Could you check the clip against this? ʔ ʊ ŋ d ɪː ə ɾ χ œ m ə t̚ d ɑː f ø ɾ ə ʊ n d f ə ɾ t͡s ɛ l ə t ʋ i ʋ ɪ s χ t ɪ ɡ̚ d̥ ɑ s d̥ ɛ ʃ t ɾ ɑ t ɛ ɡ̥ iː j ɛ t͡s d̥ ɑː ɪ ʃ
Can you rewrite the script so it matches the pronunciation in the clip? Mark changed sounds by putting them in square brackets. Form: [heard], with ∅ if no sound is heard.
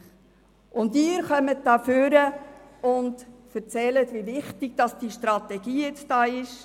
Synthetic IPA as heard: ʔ ʊ [n] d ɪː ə ɾ χ œ m ə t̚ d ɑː f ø ɾ ə ʊ n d f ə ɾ t͡s ɛ l ə t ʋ i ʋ ɪ [∅] χ t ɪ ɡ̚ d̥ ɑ s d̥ [i] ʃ t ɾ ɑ t ɛ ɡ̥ iː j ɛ t͡s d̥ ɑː ɪ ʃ

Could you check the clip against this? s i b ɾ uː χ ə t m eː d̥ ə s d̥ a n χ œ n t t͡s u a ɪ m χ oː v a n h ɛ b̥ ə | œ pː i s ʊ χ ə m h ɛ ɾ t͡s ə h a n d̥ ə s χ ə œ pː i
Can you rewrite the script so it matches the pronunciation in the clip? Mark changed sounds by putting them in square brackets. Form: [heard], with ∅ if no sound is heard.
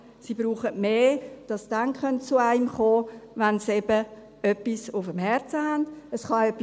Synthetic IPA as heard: s i b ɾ uː χ ə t m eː d̥ [ɑ] s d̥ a n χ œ n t t͡s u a ɪ m χ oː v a n [s] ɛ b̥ ə | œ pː i s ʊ [f] ə m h ɛ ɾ t͡s ə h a n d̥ ə s χ [ɑ] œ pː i

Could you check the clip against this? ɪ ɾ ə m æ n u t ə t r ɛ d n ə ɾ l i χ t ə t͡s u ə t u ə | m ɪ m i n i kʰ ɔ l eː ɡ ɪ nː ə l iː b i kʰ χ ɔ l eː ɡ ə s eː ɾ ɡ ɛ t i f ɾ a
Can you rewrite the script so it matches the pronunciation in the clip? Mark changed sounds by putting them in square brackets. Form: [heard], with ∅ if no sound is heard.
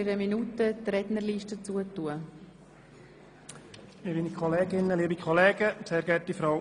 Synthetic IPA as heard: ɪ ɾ ə m [i] n u t ə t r ɛ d n ə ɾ l i [ʃ] t ə t͡s u ə t u ə | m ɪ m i n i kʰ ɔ l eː ɡ ɪ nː ə l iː b i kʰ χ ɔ l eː ɡ ə s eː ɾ ɡ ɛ t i f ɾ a

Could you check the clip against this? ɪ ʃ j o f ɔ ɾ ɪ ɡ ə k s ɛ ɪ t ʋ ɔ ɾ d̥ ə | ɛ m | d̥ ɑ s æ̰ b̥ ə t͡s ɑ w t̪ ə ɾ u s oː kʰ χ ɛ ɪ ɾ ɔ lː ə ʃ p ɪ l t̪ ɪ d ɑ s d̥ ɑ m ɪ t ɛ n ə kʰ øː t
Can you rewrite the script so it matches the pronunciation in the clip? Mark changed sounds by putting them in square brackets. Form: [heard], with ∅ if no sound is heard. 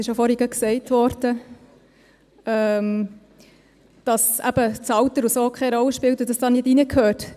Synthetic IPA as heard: ɪ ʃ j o f ɔ ɾ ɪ ɡ ə k s ɛ ɪ t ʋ ɔ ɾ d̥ ə | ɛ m | d̥ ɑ s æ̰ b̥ ə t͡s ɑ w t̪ ə ɾ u s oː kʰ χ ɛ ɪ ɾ ɔ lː ə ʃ p ɪ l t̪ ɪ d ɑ s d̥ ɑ [n] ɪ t [i] n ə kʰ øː t

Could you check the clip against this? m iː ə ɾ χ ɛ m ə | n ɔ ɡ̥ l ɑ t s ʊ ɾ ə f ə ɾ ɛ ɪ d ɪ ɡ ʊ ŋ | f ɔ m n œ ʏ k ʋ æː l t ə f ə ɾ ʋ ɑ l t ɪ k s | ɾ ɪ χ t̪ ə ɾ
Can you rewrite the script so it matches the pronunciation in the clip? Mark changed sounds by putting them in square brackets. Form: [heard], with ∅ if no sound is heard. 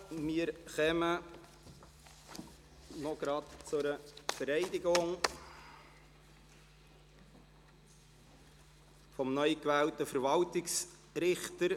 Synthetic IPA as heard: m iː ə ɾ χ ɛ m ə | n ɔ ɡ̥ [ɾ] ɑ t [t͡s] ʊ ɾ ə f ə ɾ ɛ ɪ d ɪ ɡ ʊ ŋ | f ɔ m n œ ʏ k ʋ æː l t ə f ə ɾ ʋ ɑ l t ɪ k s | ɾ ɪ χ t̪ ə ɾ

